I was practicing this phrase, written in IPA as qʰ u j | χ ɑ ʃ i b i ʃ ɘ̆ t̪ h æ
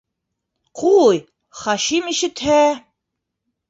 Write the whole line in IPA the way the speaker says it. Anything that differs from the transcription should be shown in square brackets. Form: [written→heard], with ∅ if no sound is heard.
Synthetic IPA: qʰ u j | χ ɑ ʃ i [b→m] i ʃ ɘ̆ t̪ h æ